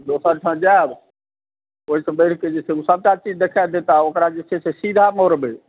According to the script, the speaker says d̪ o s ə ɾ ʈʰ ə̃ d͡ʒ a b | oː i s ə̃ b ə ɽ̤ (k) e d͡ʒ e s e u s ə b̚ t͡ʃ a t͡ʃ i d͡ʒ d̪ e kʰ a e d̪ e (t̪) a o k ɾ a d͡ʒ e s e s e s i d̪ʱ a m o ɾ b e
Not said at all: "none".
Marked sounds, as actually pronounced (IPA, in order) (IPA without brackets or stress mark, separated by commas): k, t̪